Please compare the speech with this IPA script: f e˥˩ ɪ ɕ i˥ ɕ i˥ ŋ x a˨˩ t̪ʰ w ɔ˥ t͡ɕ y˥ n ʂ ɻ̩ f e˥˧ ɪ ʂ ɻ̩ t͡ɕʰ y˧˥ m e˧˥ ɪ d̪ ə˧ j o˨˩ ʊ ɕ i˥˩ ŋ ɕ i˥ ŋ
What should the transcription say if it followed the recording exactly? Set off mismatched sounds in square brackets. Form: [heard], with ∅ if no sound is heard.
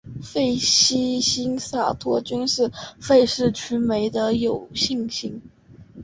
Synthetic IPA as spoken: f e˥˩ ɪ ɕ i˥ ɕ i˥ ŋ [s] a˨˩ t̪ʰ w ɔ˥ t͡ɕ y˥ n ʂ ɻ̩ f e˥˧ ɪ ʂ ɻ̩ t͡ɕʰ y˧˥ m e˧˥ ɪ d̪ ə˧ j o˨˩ ʊ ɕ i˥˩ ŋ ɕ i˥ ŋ